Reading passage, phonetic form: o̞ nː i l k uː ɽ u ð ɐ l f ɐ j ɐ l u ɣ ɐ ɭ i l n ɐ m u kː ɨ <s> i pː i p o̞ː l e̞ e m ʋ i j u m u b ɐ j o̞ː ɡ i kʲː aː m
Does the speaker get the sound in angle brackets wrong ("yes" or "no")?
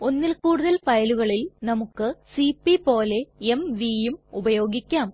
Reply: no